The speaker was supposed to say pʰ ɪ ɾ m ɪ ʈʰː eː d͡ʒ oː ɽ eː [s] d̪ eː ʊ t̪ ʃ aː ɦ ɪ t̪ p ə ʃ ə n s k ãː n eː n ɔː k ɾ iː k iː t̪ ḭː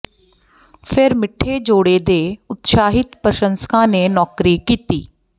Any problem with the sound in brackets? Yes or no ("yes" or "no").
yes